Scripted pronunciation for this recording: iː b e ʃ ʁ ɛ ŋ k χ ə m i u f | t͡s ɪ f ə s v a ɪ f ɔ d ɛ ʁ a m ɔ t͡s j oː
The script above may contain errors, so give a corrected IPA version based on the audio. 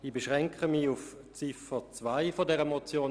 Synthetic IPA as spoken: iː b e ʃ ʁ ɛ ŋ k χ ə m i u f | t͡s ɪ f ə t͡s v a ɪ f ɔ d ɛ ʁ ə m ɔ t͡s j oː